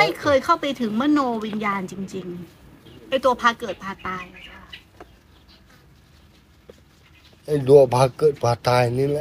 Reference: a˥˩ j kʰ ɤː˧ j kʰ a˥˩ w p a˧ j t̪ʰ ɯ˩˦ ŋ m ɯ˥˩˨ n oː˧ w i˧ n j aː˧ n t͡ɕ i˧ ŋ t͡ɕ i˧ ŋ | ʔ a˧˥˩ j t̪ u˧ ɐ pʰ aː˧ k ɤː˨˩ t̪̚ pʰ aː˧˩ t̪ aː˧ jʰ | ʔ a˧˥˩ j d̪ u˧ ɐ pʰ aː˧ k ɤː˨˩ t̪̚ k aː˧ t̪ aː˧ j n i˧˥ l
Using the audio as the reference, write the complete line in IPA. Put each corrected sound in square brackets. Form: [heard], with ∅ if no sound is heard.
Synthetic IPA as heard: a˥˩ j kʰ ɤː˧ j kʰ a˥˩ w p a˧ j t̪ʰ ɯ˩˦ ŋ m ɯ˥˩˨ n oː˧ w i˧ n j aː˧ n t͡ɕ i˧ ŋ t͡ɕ i˧ ŋ | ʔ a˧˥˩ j t̪ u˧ ɐ pʰ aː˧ k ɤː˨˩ t̪̚ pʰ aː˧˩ t̪ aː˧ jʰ | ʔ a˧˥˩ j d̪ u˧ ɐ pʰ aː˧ k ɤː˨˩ t̪̚ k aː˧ t̪ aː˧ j n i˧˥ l